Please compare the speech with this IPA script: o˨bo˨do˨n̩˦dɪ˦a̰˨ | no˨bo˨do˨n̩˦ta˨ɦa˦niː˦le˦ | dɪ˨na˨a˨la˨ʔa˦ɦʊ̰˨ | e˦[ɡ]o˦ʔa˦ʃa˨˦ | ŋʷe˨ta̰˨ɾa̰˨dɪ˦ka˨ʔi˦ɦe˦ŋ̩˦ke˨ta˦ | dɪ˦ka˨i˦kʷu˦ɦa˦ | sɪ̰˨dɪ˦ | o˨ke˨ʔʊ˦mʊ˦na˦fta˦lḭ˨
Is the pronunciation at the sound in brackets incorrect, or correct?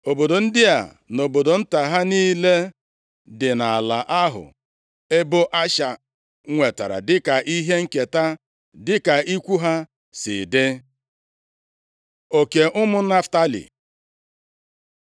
incorrect